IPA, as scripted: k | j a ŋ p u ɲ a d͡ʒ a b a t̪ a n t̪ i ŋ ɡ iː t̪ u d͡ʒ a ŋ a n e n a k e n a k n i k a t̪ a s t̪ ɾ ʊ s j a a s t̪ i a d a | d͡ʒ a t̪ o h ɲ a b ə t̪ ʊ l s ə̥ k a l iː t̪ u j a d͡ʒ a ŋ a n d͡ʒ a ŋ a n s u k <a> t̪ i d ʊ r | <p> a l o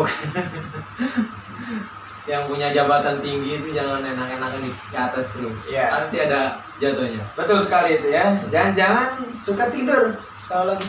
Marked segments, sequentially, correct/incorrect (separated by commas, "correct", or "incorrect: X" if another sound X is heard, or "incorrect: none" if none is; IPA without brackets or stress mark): correct, incorrect: k